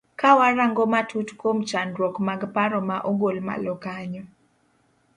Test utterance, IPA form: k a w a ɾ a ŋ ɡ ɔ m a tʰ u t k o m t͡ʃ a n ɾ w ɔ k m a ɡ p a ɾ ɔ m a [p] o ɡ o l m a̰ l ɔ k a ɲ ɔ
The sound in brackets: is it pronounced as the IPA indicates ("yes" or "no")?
no